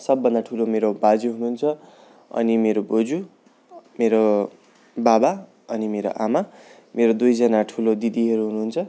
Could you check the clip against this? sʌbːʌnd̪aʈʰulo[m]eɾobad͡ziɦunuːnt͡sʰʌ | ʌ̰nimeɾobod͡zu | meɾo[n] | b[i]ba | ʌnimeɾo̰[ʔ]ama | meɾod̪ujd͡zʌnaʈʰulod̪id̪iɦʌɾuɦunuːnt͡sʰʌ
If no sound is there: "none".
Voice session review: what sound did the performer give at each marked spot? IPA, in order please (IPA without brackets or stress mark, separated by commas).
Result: m, none, a, ʔ